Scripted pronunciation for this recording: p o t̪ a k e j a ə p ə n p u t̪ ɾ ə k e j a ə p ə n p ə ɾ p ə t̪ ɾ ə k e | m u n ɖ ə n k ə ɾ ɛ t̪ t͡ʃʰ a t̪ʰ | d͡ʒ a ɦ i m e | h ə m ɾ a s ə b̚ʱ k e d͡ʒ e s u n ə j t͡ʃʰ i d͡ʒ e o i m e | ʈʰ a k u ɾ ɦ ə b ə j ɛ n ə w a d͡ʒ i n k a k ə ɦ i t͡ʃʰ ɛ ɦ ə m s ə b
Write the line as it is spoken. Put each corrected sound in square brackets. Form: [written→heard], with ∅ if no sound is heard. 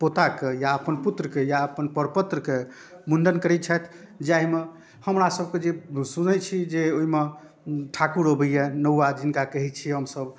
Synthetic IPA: p o t̪ a k e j a ə p ə n p u t̪ ɾ ə k e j a ə p ə n p ə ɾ p ə t̪ ɾ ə k e | m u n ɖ ə n k ə ɾ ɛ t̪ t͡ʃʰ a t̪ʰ | d͡ʒ a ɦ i m e | h ə m ɾ a s ə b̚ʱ k e d͡ʒ e s u n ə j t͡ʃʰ i d͡ʒ e o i m e | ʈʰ a k u ɾ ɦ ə b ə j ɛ n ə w a d͡ʒ i n k a k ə ɦ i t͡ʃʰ [ɛ→i] ɦ ə m s ə b